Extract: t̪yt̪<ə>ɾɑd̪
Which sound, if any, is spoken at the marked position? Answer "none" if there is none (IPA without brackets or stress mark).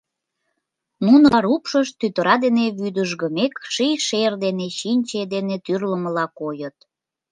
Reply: ə